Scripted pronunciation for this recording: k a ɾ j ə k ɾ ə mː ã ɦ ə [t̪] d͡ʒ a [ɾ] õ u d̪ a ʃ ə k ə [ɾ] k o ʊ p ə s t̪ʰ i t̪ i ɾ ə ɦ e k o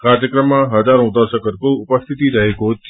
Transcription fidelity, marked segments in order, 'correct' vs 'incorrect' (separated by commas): incorrect, correct, correct